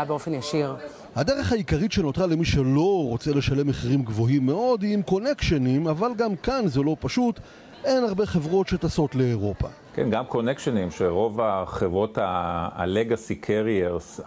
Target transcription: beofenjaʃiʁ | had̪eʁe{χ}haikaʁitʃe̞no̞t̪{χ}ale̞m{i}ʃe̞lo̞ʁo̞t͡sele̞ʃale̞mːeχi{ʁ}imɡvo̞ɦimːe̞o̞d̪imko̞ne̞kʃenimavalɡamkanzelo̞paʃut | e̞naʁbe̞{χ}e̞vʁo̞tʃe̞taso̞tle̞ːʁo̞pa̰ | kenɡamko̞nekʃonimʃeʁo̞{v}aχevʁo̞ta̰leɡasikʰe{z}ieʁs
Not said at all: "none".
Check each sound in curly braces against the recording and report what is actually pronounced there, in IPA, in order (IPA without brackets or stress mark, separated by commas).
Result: χ, ʁ, i, ʁ, χ, v, ʁ